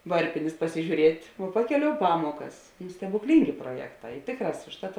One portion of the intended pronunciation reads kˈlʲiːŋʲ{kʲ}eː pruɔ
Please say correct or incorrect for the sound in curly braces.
incorrect